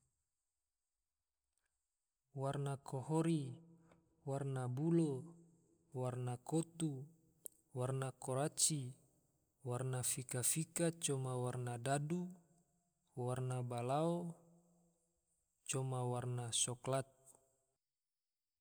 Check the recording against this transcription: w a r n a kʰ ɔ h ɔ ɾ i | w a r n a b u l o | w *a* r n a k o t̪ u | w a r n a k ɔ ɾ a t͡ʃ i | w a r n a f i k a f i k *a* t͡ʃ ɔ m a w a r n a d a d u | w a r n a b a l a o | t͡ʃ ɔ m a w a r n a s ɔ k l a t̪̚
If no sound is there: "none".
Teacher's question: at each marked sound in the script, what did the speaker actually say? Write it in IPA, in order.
a, a

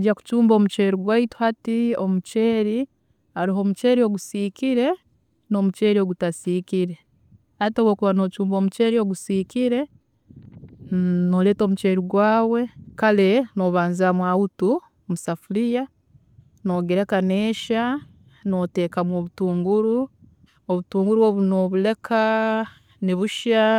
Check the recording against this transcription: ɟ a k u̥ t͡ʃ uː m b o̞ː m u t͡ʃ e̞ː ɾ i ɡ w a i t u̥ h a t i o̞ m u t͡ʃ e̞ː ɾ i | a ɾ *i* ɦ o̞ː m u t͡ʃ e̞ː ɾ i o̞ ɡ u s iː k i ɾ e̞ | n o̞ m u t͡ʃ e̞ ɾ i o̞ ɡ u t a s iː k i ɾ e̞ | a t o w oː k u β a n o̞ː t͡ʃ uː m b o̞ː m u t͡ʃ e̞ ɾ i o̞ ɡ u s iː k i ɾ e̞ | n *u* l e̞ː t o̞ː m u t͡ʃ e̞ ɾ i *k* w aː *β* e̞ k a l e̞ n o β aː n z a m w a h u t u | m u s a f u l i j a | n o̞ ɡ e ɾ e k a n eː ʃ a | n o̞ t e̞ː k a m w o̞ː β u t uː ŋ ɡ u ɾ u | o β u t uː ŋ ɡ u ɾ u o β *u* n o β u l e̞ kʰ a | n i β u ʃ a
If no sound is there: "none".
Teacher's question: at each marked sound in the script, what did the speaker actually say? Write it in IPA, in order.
i, o, ɡ, w, u

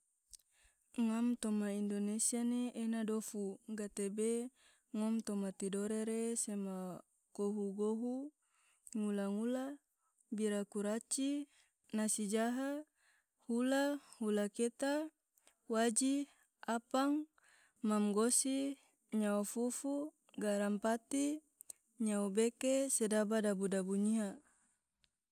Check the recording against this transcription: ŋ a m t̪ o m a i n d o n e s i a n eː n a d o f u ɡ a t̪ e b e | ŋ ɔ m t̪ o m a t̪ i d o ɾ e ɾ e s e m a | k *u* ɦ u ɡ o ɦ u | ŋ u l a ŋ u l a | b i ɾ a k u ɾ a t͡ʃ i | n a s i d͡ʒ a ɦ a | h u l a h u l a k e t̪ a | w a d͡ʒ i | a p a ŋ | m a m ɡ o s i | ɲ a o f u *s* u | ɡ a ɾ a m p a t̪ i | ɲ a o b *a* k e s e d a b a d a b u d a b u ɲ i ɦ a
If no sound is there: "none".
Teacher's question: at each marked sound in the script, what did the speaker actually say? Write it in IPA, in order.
o, f, e

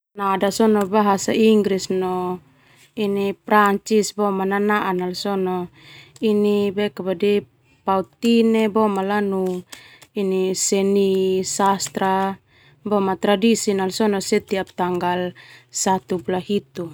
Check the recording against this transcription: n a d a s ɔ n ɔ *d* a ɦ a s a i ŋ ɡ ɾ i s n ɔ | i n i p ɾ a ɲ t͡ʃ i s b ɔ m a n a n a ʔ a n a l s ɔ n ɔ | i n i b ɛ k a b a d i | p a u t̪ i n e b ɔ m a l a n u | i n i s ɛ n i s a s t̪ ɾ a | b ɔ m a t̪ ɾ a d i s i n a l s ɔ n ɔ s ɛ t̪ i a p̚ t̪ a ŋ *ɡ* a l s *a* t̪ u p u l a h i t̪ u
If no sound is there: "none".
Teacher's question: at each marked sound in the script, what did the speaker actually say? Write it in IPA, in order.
b, ɡ, a

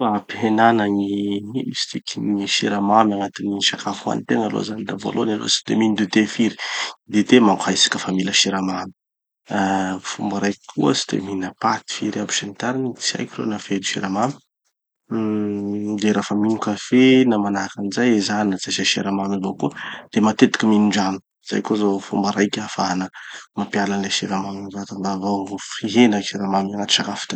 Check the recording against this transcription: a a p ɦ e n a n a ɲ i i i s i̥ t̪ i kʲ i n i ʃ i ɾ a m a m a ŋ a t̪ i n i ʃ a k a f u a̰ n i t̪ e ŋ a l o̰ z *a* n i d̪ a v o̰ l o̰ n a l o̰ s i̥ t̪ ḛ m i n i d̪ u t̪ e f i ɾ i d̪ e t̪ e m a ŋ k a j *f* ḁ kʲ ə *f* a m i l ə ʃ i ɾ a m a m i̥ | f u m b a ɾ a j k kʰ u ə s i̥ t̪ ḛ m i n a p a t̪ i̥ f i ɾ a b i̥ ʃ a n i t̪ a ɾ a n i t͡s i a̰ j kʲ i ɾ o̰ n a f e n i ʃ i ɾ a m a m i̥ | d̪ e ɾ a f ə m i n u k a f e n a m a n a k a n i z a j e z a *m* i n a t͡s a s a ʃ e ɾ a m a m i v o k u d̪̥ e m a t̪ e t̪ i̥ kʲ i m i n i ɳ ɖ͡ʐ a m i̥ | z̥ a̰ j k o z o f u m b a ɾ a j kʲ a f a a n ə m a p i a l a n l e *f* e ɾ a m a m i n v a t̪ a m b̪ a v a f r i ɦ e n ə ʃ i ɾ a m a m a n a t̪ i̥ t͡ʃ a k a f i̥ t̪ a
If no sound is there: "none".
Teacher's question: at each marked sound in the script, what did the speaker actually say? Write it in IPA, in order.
a, s, f, n, ʃ

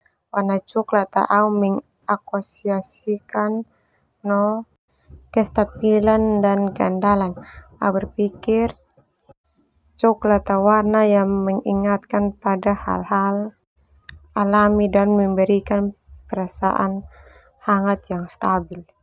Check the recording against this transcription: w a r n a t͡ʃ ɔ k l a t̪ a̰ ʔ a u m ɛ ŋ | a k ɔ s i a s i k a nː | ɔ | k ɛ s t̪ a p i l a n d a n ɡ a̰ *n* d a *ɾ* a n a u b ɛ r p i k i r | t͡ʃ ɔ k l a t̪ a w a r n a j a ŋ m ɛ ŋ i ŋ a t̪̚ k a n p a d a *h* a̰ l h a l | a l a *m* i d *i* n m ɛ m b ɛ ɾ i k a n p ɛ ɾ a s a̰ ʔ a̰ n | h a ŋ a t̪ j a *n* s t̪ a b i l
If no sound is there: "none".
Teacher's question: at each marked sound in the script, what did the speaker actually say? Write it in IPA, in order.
n, l, h, m, a, ŋ

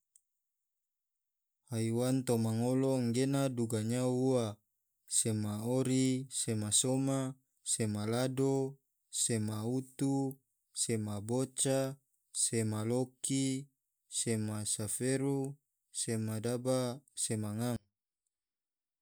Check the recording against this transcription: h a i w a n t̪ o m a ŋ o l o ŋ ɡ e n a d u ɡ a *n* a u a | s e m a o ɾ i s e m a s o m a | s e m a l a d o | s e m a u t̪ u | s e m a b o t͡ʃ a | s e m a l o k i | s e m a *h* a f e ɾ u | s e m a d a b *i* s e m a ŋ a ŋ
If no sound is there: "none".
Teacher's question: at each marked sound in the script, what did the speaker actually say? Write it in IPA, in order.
ɲ, s, a

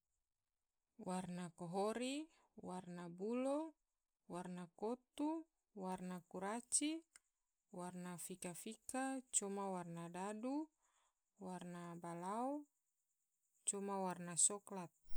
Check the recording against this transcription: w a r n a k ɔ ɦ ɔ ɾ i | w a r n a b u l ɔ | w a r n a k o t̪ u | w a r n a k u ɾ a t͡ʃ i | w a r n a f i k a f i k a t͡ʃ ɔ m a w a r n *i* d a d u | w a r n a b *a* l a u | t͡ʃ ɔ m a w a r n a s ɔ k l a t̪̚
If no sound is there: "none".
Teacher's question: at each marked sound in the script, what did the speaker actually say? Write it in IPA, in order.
a, a

